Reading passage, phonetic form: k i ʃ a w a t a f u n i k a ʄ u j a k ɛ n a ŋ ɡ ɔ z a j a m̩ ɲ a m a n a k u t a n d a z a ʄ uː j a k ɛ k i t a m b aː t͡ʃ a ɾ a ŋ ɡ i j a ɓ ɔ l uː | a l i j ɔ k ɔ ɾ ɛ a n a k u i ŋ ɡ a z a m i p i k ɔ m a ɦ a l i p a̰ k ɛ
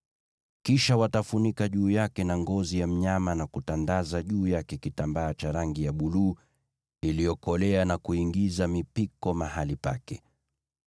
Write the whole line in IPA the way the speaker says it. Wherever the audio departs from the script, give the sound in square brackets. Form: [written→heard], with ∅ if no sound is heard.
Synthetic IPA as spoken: k i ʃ a w a t a f u n i k a ʄ [u→uː] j a k ɛ n a ŋ ɡ ɔ z [a→i] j a m̩ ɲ a m a n a k u t a n d a z a ʄ uː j a k ɛ k i t a m b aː t͡ʃ a ɾ a ŋ ɡ i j a ɓ [ɔ→u] l uː | [a→i] l i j ɔ k ɔ [ɾ→l] ɛ a n a k u i ŋ ɡ [a→i] z a m i p i k ɔ m a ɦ a l i p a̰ k ɛ